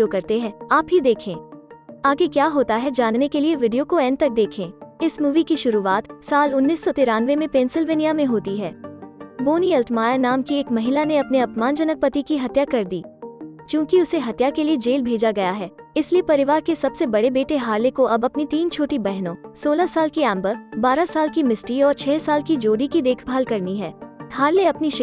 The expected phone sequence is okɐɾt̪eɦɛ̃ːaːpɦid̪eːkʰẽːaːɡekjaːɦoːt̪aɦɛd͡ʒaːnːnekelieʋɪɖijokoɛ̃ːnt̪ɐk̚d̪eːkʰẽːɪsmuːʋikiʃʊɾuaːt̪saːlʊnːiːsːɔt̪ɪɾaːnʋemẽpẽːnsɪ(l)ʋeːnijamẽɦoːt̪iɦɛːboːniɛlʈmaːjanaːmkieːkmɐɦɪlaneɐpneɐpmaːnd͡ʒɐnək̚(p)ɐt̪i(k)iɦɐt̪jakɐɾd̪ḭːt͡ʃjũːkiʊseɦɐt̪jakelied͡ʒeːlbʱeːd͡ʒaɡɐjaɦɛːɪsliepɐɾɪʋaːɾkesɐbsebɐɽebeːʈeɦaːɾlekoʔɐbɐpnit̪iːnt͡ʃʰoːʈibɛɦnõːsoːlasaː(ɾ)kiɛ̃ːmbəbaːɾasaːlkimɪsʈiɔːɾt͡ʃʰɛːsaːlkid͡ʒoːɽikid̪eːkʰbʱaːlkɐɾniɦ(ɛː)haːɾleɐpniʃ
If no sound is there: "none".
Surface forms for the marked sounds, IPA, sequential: l, p, k, l, ɛː

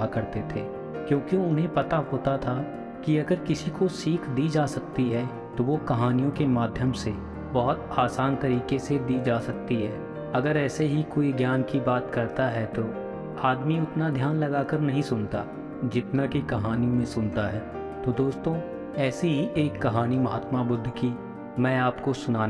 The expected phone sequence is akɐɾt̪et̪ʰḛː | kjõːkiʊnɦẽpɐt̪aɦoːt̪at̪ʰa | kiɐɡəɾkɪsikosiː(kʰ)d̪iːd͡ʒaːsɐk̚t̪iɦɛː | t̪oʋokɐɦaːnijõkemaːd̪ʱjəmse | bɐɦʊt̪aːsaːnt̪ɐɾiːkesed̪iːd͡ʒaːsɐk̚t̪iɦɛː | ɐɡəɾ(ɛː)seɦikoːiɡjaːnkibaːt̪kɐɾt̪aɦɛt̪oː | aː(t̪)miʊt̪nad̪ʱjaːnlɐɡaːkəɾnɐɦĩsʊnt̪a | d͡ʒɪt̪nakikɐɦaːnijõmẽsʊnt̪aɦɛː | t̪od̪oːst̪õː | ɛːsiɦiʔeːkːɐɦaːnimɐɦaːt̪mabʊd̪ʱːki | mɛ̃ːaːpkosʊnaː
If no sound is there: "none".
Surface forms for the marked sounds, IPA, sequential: kʰ, ɛː, d̪

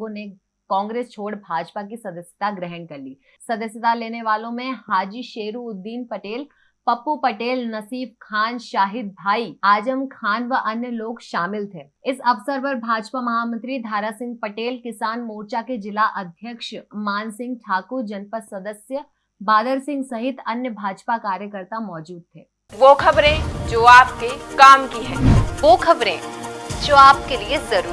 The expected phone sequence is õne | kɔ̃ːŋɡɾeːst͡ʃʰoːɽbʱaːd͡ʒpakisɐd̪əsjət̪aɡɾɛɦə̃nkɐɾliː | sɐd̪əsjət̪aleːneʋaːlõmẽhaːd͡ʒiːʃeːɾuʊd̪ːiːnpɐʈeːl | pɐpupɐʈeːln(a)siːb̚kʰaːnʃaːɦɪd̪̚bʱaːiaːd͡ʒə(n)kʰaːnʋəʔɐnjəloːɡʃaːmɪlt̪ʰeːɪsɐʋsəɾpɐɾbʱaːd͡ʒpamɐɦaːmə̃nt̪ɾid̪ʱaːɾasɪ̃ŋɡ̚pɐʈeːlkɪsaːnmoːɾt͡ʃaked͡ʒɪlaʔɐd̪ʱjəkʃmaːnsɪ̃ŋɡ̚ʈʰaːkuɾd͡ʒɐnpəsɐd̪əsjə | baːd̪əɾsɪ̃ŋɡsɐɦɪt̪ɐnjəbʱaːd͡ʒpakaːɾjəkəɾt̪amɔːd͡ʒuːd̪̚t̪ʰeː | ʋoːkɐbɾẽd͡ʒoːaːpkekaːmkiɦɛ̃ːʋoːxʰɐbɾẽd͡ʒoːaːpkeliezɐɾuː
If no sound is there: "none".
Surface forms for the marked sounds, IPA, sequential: ɐ, m

